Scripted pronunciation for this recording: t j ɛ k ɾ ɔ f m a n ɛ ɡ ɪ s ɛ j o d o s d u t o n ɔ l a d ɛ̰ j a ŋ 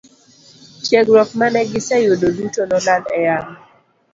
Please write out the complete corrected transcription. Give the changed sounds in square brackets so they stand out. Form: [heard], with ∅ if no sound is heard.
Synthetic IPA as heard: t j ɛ [ɡ] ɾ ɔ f m a n ɛ ɡ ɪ s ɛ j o d o [∅] d u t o n ɔ l a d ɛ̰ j a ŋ